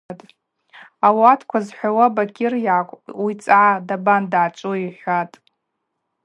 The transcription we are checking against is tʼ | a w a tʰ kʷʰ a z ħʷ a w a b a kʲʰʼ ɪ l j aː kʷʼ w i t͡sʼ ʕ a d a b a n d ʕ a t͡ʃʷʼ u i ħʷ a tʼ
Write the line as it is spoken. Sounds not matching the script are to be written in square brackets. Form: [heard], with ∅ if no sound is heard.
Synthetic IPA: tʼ | a w a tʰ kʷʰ a z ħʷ a w a b a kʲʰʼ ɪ [r] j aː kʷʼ w i t͡sʼ ʕ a d a b a n d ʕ a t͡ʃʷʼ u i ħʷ a tʼ